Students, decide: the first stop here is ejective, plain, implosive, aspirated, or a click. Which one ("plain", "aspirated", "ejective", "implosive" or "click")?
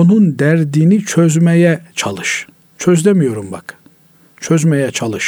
plain